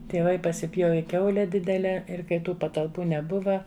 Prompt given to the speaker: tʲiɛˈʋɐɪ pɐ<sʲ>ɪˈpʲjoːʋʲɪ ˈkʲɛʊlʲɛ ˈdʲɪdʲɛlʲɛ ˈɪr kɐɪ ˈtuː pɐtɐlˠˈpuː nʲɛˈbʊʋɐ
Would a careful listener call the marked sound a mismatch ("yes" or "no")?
no